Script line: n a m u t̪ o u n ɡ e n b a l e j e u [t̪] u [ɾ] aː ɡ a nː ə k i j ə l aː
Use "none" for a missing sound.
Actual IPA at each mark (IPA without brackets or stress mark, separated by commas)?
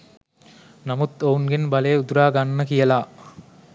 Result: d̪, ɾ